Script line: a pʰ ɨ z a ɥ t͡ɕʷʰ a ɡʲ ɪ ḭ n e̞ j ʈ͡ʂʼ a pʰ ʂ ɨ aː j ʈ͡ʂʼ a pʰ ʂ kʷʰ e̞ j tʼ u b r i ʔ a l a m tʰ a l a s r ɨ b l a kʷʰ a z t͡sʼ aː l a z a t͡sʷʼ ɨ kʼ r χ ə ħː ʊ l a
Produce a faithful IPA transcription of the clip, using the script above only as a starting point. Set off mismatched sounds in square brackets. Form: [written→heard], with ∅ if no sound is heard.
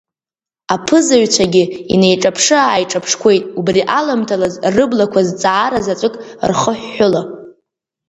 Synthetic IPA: a pʰ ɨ z a ɥ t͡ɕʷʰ a ɡʲ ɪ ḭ n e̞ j ʈ͡ʂʼ a pʰ ʂ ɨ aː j ʈ͡ʂʼ a pʰ ʂ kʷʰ e̞ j tʼ u b r i ʔ a l a m tʰ a l a [s→z] r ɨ b l a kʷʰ a z t͡sʼ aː [l→ɾ] a z a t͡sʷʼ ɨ kʼ r χ ə ħː ʊ l a